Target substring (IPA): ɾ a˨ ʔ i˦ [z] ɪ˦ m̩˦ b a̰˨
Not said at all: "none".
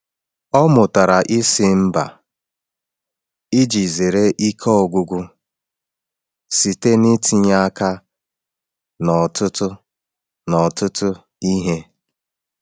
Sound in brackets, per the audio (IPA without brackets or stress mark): s